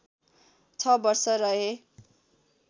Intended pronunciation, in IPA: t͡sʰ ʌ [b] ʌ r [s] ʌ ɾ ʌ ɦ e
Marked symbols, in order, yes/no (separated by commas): yes, yes